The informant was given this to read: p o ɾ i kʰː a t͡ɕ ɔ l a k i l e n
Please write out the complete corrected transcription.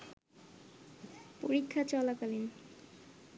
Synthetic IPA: p o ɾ i kʰː a t͡ɕ ɔ l a k a l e n